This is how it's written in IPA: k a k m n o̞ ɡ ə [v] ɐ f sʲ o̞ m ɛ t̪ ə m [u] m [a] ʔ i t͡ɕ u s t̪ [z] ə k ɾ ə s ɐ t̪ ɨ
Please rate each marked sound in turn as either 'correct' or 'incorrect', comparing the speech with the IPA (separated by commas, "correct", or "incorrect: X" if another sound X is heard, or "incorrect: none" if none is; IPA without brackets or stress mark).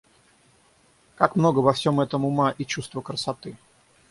correct, incorrect: ʊ, correct, incorrect: v